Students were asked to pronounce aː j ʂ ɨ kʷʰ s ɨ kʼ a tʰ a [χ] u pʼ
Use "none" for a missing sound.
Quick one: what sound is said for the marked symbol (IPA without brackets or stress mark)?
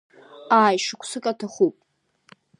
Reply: χ